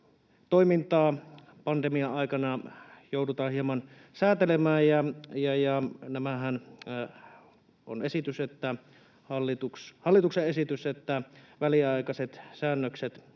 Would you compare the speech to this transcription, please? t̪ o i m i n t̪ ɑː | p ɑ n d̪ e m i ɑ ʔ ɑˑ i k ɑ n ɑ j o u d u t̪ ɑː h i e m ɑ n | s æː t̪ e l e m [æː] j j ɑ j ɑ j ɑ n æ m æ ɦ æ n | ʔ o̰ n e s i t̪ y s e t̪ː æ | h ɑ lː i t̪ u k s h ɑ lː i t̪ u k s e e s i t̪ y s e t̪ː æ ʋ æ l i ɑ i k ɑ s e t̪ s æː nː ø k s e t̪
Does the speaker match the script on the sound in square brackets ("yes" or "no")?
yes